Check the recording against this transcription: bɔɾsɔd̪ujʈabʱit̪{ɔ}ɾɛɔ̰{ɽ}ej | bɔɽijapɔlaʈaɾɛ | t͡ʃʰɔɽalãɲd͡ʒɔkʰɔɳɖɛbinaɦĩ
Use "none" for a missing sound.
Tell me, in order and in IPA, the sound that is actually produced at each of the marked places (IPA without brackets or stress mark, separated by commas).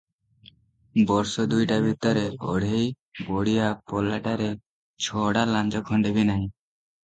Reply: ɔ, ɽ